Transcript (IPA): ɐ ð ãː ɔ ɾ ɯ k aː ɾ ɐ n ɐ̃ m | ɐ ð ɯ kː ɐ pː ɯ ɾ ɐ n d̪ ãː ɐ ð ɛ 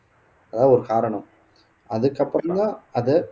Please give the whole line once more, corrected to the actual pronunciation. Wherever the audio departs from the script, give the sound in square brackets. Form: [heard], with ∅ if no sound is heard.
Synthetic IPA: ɐ ð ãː ɔ ɾ ɯ k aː ɾ ɐ [ɳ] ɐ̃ m | ɐ ð ɯ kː ɐ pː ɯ ɾ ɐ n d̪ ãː ɐ ð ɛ